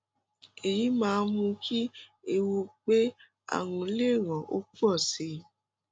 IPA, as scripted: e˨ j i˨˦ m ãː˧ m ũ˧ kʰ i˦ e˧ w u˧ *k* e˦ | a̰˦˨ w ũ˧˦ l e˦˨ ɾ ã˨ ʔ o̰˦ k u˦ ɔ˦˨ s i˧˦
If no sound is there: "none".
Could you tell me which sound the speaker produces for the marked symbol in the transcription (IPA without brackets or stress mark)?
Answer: k͡p